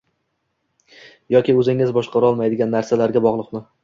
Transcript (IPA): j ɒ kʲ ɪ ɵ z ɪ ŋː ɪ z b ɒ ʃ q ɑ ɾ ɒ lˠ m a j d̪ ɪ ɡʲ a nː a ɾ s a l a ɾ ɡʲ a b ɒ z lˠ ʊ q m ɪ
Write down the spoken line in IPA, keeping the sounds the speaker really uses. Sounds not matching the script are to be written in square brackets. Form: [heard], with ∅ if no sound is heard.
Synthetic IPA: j ɒ kʲ ɪ ɵ z ɪ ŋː ɪ z b ɒ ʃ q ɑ ɾ ɒ lˠ m a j d̪ ɪ ɡʲ a nː a ɾ s a l a ɾ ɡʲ a b ɒ [ʁ] lˠ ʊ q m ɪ